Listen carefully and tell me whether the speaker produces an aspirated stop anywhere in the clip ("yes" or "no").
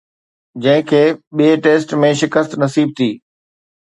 yes